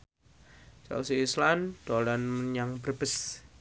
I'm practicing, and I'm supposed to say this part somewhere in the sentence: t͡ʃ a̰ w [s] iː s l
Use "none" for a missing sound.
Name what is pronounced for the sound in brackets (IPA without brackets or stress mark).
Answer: s